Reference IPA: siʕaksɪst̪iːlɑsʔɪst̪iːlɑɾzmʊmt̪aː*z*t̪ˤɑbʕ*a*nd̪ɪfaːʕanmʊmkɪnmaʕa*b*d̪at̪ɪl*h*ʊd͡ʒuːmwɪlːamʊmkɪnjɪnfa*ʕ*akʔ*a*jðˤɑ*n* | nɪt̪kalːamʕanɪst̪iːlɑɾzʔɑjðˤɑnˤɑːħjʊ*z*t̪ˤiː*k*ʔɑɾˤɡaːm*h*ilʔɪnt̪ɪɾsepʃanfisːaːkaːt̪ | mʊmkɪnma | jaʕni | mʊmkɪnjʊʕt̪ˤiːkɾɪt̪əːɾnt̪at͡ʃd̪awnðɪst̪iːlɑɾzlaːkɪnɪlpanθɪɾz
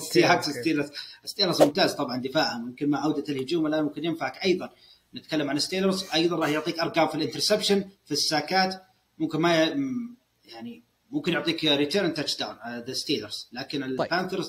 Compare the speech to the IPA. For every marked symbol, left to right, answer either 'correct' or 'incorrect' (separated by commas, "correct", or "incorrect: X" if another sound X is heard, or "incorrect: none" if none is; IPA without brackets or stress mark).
correct, incorrect: ɑ, incorrect: w, correct, correct, incorrect: ɑ, correct, incorrect: ʕ, correct, incorrect: f